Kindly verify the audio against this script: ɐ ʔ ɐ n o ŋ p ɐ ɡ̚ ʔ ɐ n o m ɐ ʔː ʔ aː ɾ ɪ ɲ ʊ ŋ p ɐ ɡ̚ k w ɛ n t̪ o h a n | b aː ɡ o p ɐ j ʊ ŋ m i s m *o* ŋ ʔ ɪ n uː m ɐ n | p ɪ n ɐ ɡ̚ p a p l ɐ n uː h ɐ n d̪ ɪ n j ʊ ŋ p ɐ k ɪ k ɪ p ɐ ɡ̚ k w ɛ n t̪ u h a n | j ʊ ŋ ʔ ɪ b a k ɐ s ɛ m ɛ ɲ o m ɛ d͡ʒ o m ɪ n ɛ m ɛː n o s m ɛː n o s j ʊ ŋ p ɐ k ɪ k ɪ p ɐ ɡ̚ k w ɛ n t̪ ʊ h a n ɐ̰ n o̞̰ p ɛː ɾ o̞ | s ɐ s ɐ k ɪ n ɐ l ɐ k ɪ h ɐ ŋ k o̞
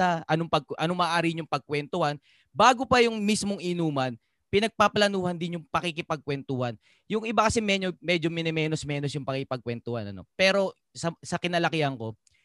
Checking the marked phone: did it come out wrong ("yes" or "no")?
no